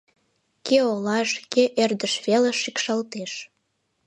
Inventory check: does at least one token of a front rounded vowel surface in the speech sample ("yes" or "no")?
no